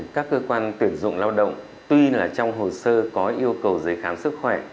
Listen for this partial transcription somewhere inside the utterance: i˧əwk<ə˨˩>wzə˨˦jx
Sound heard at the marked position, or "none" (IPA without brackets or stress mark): ə˨˩